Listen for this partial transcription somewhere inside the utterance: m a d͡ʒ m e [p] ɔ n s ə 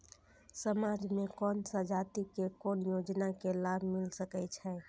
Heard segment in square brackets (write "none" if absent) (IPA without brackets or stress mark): k